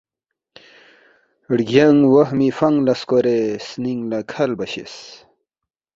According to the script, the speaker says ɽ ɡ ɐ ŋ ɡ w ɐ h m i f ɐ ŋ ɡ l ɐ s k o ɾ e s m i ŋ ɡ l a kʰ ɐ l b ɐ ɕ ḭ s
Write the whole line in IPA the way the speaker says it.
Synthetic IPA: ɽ ɡ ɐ ŋ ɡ w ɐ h m i f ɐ ŋ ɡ l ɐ s k o ɾ e s n i ŋ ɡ l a kʰ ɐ l b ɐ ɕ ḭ s